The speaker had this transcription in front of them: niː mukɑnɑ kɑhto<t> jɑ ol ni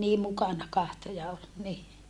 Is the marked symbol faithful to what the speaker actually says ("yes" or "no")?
no